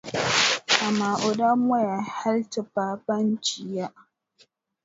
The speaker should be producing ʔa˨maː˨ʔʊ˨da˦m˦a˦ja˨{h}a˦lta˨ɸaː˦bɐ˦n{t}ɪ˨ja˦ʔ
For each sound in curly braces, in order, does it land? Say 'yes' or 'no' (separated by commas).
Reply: yes, no